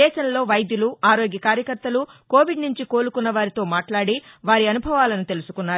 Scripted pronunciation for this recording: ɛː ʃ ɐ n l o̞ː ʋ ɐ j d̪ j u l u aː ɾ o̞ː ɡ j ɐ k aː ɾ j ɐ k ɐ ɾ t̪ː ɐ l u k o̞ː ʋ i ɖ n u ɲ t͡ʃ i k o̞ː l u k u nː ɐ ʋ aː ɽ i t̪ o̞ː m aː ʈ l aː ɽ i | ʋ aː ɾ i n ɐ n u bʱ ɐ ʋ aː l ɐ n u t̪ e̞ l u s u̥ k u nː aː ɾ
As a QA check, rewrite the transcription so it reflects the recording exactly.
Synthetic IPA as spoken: ɛː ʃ ɐ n l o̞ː ʋ ɐ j d̪ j u l u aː ɾ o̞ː ɡ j ɐ k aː ɾ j ɐ k ɐ ɾ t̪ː ɐ l u k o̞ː ʋ i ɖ n u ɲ t͡ʃ i k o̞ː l u k u nː ɐ ʋ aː ɾ i t̪ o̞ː m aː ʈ l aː ɽ i | ʋ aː ɾ i ɐ n u bʱ ɐ ʋ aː l ɐ n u t̪ e̞ l u s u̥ k u nː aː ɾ